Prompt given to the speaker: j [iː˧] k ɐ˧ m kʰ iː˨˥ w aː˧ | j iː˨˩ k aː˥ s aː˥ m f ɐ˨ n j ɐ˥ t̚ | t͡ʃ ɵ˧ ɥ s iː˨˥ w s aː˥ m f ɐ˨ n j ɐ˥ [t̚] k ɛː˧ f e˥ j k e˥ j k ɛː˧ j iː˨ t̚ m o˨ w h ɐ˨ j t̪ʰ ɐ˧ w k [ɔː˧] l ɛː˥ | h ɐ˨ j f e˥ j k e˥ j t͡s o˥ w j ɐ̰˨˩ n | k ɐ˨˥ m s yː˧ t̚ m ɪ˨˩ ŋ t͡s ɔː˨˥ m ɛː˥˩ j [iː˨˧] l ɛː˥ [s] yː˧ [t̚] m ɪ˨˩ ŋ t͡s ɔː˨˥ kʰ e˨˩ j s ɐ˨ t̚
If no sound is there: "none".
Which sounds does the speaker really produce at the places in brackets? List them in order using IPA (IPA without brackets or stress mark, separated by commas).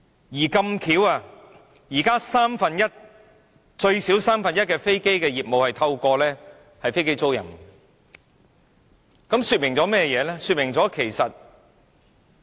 iː˨˩, t̚, ɔː˧, ɛː˨˧, s, t̚